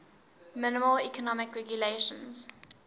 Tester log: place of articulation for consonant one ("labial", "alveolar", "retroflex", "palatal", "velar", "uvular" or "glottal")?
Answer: labial